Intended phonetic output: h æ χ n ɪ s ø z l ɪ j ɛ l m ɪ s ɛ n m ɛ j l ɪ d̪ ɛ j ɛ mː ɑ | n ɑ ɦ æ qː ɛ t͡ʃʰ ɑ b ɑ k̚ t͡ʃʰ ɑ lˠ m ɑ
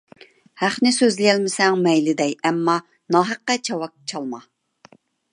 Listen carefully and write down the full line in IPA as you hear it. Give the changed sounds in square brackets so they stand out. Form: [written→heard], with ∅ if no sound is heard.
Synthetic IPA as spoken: h æ χ n ɪ s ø z l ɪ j ɛ l m ɪ s ɛ [n→ŋ] m ɛ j l ɪ d̪ ɛ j ɛ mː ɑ | n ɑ ɦ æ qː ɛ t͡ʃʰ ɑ [b→w] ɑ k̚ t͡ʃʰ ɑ lˠ m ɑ